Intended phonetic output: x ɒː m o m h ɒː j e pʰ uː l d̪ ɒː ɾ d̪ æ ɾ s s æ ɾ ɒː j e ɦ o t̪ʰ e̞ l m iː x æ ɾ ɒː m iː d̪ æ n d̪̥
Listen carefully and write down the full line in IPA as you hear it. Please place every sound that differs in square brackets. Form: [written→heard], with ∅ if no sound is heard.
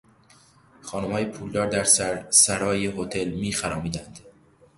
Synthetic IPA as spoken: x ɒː [m→n] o m h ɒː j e pʰ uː l d̪ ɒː ɾ d̪ æ ɾ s s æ ɾ ɒː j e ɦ o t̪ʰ e̞ l m iː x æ ɾ ɒː m iː d̪ æ n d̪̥